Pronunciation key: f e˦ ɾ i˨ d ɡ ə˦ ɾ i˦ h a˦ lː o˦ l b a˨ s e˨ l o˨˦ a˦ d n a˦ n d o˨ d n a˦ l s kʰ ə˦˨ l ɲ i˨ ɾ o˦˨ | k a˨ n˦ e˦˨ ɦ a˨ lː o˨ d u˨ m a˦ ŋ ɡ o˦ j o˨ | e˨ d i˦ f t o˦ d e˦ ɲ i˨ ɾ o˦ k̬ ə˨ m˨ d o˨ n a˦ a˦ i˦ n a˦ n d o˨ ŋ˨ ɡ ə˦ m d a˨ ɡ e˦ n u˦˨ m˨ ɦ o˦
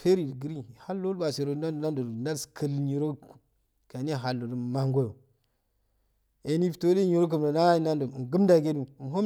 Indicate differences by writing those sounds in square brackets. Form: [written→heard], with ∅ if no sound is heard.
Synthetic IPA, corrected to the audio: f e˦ ɾ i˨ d ɡ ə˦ ɾ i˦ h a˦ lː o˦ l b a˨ s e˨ [l→ɾ] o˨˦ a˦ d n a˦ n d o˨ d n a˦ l s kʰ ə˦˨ l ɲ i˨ ɾ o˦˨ | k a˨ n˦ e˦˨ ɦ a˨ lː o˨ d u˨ m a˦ ŋ ɡ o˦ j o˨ | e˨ [d→n] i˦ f t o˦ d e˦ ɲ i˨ ɾ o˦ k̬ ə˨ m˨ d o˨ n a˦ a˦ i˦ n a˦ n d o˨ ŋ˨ ɡ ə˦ m d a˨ ɡ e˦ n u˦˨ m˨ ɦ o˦